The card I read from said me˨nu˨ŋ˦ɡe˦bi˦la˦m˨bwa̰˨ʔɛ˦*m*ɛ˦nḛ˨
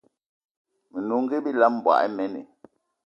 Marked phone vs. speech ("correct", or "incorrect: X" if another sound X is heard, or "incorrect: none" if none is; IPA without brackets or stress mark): correct